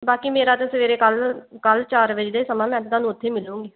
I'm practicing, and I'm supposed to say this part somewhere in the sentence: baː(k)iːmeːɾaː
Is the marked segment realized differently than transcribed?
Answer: no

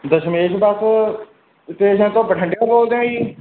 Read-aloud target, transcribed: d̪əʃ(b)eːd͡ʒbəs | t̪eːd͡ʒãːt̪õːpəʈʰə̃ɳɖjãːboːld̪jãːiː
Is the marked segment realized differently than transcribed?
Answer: yes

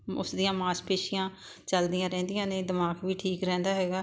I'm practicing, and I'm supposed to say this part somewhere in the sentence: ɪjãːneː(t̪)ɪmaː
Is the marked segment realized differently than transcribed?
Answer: yes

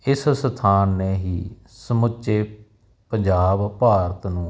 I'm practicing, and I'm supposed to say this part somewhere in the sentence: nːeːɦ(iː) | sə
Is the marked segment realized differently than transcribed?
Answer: no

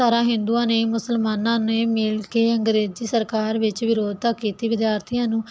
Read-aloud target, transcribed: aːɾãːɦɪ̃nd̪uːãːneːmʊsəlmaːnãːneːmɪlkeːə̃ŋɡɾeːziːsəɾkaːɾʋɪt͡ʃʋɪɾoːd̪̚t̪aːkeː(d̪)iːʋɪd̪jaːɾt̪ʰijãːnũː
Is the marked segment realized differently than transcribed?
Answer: yes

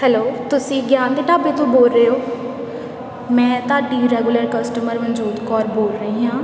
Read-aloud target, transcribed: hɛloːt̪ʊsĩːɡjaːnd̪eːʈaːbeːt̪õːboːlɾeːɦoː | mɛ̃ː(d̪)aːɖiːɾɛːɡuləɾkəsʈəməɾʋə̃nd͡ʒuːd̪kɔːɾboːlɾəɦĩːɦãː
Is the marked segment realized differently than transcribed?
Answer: yes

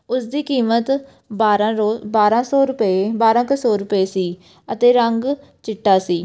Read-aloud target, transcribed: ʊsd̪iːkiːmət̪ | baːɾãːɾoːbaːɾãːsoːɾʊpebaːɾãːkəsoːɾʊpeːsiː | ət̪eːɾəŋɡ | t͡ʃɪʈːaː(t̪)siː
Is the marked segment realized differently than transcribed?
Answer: yes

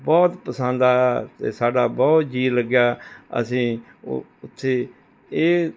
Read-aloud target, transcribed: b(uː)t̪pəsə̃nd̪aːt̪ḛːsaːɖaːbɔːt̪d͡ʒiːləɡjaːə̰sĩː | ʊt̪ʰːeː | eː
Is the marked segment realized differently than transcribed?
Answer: yes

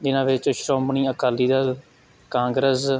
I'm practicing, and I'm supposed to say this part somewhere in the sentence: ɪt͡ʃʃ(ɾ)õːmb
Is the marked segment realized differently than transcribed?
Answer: no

